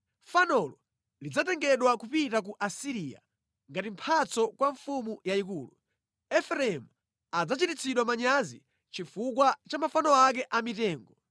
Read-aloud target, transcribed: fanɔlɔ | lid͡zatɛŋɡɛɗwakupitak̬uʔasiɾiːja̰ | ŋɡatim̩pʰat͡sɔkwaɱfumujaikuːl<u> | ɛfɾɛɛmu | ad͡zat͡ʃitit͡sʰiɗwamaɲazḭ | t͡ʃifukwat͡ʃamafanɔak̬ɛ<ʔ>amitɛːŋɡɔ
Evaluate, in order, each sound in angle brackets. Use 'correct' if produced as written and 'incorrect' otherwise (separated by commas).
correct, correct